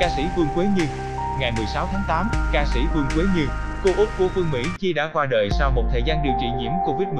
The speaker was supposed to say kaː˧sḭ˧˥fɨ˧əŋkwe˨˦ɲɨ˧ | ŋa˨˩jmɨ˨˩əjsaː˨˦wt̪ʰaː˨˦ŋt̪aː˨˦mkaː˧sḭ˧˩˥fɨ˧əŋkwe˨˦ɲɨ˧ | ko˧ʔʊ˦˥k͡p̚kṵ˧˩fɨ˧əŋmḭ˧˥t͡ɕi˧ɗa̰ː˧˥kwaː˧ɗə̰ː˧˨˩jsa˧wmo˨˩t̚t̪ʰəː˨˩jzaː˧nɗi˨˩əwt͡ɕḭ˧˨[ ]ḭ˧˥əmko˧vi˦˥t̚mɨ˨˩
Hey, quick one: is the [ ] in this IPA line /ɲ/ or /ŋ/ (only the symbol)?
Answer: ɲ